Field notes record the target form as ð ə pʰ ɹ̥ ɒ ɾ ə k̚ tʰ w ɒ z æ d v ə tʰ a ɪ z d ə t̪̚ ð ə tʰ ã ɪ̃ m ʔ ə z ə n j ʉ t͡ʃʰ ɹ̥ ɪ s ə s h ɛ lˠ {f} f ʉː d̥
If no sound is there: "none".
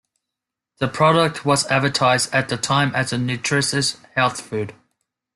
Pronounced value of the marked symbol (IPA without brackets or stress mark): θ